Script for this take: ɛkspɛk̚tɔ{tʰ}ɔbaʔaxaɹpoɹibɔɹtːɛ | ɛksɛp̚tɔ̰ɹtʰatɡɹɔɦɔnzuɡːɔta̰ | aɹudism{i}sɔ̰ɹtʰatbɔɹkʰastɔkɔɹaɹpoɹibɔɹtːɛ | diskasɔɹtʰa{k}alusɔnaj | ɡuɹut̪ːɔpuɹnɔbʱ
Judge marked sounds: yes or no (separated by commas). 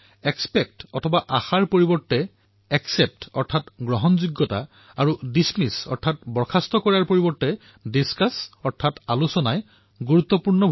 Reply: yes, yes, no